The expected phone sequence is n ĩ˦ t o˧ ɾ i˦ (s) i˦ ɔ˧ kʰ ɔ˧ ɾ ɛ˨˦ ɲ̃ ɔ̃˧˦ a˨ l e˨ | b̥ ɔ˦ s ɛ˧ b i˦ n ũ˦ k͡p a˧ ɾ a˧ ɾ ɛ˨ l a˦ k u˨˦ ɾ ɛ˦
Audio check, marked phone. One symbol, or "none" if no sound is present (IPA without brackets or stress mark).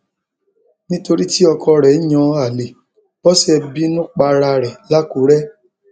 t